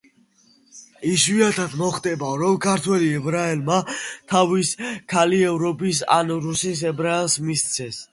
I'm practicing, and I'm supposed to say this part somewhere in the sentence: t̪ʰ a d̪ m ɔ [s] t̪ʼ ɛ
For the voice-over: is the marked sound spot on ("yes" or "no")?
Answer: no